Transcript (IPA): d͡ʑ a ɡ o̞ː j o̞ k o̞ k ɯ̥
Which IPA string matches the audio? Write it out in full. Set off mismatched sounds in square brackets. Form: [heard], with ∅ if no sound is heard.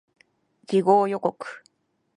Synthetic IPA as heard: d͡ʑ [i] ɡ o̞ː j o̞ k o̞ k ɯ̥